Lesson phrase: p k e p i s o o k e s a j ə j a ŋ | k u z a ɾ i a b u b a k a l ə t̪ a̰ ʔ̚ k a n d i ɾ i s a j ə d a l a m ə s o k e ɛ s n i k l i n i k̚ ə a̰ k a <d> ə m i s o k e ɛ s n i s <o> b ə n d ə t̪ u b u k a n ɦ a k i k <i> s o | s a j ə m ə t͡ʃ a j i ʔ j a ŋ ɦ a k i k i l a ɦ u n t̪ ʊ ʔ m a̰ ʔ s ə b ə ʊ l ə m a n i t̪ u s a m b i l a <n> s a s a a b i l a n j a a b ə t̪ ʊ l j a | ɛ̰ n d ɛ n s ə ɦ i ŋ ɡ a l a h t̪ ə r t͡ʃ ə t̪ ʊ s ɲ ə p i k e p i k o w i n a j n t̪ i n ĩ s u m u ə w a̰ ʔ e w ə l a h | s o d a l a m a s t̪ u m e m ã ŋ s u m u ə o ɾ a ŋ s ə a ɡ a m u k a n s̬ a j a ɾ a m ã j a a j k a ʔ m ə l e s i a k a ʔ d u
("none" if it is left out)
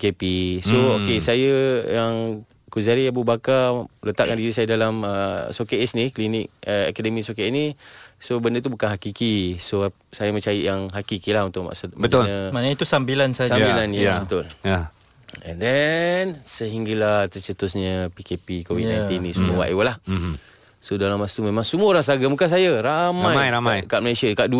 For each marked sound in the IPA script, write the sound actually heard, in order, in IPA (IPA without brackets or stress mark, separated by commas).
d, o, i, n